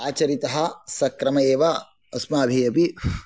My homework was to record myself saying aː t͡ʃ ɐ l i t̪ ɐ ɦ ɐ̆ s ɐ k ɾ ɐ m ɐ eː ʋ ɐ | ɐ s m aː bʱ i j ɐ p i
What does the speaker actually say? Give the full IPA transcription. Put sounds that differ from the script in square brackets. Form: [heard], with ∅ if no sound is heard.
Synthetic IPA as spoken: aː t͡ʃ ɐ [ɾ] i t̪ ɐ ɦ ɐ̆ s ɐ k ɾ ɐ m ɐ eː ʋ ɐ | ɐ s m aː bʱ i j ɐ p i